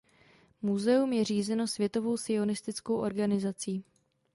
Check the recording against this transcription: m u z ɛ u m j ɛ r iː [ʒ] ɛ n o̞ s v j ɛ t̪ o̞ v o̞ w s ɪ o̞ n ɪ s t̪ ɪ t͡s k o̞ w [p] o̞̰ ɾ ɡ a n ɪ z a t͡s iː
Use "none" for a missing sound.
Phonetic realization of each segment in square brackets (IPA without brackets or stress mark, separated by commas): z, ʔ